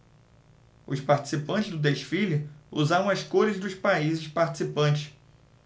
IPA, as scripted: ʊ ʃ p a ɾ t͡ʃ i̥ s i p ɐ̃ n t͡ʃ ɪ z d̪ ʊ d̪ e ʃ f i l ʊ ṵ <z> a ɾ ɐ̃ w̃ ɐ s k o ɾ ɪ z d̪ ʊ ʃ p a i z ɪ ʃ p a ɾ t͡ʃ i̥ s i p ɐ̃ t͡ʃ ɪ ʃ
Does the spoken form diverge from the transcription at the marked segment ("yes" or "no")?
no